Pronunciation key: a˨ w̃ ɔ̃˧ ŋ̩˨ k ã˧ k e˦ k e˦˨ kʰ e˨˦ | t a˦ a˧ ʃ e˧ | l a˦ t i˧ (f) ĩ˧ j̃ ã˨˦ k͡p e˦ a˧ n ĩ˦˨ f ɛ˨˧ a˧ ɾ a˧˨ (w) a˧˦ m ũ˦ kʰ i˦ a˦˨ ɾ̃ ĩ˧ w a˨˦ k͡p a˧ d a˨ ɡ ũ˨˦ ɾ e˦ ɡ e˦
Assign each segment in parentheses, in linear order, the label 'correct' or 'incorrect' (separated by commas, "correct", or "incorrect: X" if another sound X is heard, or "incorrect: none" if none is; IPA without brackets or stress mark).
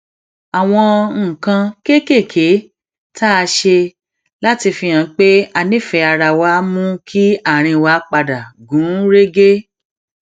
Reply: correct, correct